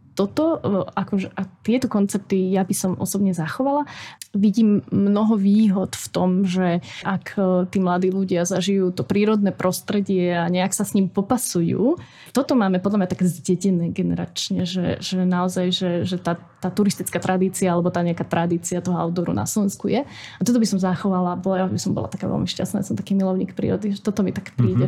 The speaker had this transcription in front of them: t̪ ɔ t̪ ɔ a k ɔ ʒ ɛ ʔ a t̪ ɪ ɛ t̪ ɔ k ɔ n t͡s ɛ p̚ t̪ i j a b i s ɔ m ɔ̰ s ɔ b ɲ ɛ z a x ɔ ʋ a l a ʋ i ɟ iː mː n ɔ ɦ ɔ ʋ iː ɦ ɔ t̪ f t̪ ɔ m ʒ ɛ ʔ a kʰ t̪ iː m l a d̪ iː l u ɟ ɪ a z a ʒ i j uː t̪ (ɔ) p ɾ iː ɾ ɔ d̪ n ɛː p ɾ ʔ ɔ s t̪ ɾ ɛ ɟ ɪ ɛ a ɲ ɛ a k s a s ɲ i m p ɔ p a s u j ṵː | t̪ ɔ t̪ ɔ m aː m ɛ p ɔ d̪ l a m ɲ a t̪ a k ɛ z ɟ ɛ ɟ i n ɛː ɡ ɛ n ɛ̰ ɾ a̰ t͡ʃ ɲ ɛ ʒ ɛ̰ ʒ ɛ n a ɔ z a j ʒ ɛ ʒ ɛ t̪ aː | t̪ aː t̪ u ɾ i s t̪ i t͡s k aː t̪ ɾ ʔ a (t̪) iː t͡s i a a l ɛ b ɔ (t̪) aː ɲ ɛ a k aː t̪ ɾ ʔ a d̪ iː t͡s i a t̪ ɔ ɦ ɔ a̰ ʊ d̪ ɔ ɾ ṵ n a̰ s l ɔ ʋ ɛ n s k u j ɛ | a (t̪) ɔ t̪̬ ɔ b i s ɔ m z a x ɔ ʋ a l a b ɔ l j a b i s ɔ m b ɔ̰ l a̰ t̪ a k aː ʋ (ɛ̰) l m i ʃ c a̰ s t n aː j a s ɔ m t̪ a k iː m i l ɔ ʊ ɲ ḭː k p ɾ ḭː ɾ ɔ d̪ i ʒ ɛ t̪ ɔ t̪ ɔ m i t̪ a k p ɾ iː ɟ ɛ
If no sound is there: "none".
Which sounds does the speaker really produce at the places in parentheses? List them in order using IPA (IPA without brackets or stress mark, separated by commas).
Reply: ɔ, d̪, t̪, t̪, ɛ̰